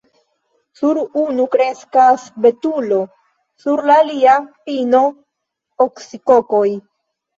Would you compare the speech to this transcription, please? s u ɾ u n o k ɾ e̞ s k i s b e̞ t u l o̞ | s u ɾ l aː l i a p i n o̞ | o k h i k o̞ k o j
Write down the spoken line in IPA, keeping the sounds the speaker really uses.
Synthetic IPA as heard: s u ɾ u n u k ɾ e̞ s k a s b e̞ t u l o̞ | s u ɾ l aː l i a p i n o̞ | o k s i k o̞ k o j

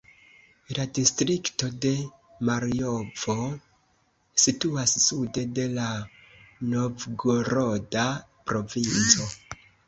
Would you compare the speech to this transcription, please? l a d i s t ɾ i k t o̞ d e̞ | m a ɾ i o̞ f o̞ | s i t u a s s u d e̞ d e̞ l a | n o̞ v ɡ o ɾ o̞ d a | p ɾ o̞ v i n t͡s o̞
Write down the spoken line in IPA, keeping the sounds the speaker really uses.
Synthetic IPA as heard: l a d i s t ɾ i k t o̞ d e̞ | m a ɾ i o̞ v o̞ | s i t u a s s u d e̞ d e̞ l a | n o̞ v ɡ o ɾ o̞ d a | p ɾ o̞ v i n t͡s o̞

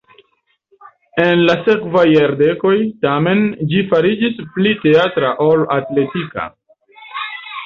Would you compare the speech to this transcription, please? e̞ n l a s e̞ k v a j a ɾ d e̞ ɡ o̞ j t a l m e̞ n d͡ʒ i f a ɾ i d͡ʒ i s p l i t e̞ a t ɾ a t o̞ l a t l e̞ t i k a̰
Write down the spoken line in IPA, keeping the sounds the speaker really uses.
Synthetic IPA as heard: e̞ n l a s e̞ k v a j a ɾ d e̞ k o̞ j t a m e̞ n d͡ʒ i f a ɾ i d͡ʒ i s p l i t e̞ a t ɾ a ʔ o̞ l a t l e̞ t i k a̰

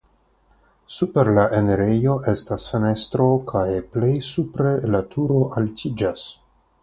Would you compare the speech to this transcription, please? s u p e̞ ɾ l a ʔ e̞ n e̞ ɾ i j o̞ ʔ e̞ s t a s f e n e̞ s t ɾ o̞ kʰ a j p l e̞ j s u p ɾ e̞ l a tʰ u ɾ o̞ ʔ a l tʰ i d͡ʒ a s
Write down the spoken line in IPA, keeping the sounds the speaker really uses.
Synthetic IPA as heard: s u p e̞ ɾ l a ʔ e̞ n e̞ ɾ e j o̞ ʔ e̞ s t a s f e n e̞ s t ɾ o̞ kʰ a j p l e̞ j s u p ɾ e̞ l a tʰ u ɾ o̞ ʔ a l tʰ i d͡ʒ a s

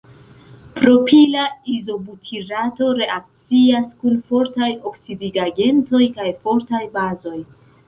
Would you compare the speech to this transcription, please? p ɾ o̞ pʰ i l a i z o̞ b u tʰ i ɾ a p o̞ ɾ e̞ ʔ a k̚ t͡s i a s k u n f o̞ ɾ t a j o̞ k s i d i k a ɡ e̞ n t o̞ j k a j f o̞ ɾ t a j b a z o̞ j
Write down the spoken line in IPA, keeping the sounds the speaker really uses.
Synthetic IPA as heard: p ɾ o̞ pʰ i l a i z o̞ b u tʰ i ɾ a t o̞ ɾ e̞ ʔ a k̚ t͡s i a s k u n f o̞ ɾ t a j o̞ k s i d i ɡ a ɡ e̞ n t o̞ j k a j f o̞ ɾ t a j b a z o̞ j

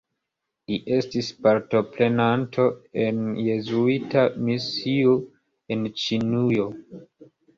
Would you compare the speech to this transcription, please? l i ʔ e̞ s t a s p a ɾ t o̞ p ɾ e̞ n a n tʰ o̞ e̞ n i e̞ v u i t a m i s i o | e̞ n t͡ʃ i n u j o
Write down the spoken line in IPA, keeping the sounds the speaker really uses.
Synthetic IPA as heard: l i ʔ e̞ s t i s p a ɾ t o̞ p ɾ e̞ n a n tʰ o̞ e̞ n j e̞ z u i t a m i s i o | e̞ n t͡ʃ i n u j o

